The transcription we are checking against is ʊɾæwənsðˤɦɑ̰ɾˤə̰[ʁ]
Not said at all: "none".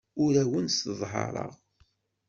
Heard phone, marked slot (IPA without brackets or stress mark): ʁ